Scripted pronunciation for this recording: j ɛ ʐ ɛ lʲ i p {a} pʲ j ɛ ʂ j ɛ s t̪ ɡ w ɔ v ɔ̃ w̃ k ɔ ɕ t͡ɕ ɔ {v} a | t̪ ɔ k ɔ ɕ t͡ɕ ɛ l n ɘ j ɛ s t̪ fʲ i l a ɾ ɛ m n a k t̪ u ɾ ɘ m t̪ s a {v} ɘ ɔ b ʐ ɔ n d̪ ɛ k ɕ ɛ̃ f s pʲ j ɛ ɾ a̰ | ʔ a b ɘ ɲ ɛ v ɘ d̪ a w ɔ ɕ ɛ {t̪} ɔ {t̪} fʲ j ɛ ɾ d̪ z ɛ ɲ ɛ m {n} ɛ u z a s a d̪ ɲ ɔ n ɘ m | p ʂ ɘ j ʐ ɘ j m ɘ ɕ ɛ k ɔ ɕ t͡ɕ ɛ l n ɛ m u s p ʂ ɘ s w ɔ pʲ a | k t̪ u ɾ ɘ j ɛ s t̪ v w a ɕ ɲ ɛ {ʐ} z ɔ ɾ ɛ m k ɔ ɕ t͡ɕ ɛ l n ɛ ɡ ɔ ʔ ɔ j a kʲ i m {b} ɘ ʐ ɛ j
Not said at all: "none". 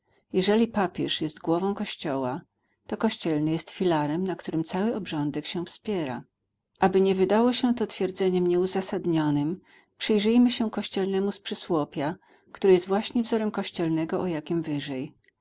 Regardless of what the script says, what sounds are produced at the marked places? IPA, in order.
a, w, w, t̪, t̪, ɲ, v, v

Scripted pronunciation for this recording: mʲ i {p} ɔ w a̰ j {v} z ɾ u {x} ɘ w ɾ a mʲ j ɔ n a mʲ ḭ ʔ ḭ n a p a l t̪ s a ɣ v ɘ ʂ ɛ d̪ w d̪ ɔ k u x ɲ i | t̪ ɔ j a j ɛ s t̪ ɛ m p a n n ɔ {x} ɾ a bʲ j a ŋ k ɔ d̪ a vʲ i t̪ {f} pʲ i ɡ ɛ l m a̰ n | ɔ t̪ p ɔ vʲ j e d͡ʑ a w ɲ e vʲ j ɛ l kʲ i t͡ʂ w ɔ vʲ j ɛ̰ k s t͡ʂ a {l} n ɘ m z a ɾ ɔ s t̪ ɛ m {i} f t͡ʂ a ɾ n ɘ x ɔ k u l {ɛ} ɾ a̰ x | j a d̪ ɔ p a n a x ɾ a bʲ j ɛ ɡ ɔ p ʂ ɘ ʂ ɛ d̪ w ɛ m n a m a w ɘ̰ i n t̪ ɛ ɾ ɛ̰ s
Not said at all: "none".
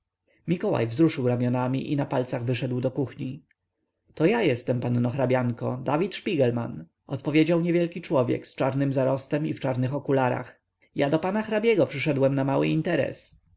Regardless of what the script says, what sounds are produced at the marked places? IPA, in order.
k, v, ʂ, x, ʂ, ɾ, i, a

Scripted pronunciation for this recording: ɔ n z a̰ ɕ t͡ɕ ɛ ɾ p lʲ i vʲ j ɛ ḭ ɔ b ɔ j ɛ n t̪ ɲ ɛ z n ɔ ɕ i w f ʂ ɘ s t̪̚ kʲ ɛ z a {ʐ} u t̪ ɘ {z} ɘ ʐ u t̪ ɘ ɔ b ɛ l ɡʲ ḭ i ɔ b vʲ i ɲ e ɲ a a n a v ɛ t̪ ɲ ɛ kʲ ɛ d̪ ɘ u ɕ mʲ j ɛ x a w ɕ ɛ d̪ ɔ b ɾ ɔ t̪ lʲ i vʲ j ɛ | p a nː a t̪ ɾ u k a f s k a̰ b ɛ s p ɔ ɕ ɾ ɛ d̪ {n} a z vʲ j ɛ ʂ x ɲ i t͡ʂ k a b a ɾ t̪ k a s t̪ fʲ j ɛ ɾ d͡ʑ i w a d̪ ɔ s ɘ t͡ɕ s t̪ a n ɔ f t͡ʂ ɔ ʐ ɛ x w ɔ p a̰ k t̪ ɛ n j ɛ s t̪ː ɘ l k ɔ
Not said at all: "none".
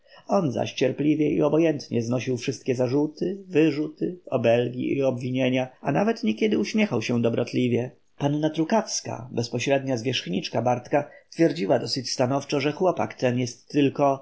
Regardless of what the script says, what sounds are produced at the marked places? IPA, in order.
ʐ, v, ɲ

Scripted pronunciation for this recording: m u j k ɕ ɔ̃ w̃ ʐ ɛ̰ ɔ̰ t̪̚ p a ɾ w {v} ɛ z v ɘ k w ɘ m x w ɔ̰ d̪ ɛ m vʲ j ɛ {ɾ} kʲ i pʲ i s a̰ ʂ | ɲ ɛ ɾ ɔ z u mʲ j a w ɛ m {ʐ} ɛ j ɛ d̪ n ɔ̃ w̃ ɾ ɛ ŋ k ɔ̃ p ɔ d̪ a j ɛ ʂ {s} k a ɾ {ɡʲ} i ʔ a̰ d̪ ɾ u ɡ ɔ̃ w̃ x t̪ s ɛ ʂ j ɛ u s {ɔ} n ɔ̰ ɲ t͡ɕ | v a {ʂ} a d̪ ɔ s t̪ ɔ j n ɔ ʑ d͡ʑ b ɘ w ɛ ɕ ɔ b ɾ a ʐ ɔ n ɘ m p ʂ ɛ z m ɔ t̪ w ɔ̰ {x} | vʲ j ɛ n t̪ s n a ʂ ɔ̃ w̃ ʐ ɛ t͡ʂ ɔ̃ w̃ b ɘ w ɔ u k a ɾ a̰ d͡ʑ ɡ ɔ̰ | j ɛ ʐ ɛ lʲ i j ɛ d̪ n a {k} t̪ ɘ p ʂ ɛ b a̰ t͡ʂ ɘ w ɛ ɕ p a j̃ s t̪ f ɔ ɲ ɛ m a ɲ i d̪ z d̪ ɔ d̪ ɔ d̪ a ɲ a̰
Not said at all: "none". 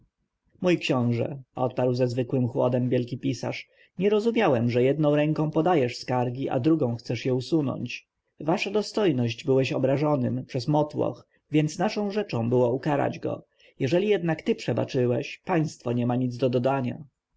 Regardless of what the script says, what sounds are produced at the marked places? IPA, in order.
z, l, ʐ, s, ɡʲ, u, ʂ, x, k

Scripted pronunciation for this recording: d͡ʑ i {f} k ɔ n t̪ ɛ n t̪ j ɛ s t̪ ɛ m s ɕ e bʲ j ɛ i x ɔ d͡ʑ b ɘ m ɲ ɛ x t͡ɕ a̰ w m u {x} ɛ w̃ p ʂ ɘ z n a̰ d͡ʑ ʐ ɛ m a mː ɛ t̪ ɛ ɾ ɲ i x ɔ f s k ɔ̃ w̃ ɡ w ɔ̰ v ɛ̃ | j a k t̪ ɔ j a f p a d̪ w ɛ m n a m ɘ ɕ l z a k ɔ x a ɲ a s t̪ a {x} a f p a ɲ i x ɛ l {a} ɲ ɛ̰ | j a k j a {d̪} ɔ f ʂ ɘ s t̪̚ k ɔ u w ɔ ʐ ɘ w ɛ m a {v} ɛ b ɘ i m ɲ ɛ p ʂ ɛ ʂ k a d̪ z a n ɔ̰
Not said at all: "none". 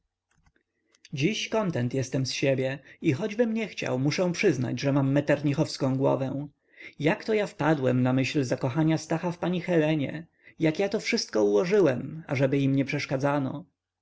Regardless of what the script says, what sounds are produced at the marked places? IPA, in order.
ɕ, ʂ, x, ɛ, t̪, ʐ

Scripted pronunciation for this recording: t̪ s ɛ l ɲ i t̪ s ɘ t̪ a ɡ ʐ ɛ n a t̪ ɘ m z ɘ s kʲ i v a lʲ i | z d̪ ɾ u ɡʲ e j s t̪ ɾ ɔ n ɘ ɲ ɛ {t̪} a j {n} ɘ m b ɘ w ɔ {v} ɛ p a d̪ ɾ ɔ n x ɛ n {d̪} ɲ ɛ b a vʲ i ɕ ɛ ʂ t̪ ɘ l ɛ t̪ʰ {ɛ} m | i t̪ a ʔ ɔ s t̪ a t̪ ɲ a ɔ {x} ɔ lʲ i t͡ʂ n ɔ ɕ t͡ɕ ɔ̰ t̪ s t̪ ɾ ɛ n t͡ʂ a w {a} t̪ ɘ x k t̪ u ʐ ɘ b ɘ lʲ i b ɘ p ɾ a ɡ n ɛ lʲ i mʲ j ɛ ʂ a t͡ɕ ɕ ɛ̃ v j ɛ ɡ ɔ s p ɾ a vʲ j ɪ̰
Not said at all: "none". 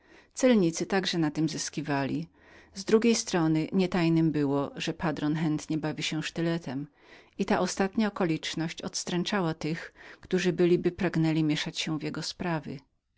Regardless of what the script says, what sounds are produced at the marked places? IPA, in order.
t̪, n, ʐ, t̪, ɛ, k, a

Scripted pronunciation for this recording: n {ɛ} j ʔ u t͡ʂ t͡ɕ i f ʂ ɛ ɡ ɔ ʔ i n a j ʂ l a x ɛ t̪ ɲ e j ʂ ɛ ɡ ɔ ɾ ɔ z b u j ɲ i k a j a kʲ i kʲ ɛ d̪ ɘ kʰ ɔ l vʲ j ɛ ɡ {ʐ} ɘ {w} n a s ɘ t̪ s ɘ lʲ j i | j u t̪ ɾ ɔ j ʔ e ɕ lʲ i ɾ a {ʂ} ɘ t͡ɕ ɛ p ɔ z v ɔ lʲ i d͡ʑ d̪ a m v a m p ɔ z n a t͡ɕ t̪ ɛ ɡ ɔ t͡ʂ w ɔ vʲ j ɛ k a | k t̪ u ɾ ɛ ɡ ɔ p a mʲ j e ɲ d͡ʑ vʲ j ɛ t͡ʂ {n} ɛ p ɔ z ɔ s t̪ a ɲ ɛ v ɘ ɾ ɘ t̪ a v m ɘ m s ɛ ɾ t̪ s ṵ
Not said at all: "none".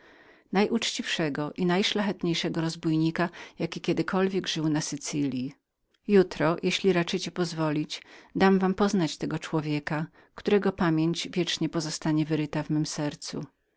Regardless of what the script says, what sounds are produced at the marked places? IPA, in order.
a, ʐ, w, t͡ʂ, ɲ

